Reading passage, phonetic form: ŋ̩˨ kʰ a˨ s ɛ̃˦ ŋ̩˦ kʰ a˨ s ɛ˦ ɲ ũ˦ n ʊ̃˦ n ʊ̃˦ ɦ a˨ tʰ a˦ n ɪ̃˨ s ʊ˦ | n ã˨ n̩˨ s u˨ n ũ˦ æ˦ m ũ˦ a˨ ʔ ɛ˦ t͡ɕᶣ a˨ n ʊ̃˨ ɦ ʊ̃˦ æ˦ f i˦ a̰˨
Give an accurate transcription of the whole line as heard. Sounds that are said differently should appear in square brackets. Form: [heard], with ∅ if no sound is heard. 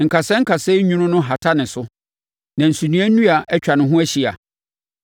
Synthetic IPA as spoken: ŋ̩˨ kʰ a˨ s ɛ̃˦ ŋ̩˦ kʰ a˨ s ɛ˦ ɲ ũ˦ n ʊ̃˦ n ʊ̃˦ ɦ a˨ tʰ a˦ n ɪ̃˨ s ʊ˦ | n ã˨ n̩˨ s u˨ n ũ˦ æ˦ [n] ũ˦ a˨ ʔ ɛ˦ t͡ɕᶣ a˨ n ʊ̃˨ ɦ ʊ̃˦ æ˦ [ɕ] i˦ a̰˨